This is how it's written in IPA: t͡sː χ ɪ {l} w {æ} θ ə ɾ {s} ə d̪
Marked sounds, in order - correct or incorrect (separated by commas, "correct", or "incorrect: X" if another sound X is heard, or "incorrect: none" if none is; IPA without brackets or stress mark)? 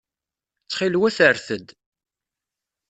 correct, correct, incorrect: θ